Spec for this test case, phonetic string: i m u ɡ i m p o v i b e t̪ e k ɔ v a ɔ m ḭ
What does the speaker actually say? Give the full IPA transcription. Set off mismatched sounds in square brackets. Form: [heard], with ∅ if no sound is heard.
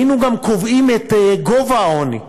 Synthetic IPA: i [n] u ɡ [a] m [k] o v i [m] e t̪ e [ɡ] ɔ v a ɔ [n] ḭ